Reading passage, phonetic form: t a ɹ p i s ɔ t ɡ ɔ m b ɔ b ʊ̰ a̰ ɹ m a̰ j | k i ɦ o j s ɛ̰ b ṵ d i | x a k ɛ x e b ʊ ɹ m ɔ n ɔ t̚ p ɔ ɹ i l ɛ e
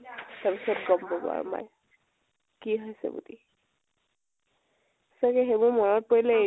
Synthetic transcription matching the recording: t a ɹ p i s ɔ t ɡ ɔ m b ɔ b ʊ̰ a̰ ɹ m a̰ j | k i ɦ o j s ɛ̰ b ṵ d i | s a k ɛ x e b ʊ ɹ m ɔ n ɔ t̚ p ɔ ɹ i l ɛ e